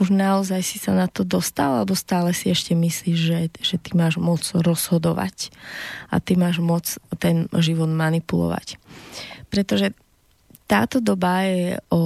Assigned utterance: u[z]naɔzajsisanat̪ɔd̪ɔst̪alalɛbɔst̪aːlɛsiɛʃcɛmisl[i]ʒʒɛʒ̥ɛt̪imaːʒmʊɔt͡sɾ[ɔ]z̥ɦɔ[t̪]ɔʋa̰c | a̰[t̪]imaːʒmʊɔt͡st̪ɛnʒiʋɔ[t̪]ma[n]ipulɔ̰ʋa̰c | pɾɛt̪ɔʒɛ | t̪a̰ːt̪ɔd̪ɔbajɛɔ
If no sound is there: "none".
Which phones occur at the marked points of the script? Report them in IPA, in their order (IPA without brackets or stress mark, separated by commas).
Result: ʒ, iː, ɔ, d̪, t̪, d̪, n